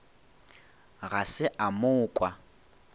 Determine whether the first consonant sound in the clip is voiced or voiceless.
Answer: voiced